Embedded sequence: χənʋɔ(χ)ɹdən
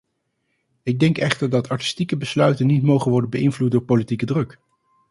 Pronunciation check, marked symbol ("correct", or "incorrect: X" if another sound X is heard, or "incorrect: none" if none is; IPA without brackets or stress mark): incorrect: none